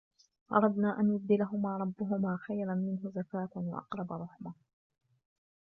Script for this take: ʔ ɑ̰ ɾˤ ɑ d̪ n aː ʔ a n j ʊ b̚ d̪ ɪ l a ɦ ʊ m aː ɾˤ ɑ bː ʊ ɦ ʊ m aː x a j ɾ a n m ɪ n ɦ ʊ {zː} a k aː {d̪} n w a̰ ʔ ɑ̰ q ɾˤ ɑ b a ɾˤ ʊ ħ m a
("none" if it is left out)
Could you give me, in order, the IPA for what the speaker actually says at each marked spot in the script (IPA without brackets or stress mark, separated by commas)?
z, t̪